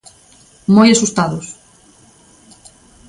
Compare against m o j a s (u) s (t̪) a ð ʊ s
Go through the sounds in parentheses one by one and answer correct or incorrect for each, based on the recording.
correct, correct

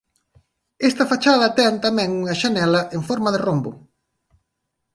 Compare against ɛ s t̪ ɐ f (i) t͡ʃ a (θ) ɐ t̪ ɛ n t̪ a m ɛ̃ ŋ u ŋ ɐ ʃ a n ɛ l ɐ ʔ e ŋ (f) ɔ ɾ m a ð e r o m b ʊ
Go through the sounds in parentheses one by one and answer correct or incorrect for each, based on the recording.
incorrect, incorrect, correct

